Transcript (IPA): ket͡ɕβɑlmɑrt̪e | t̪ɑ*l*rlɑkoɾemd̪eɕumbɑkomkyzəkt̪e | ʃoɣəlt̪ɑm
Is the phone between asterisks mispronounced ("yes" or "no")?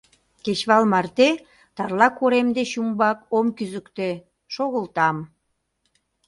yes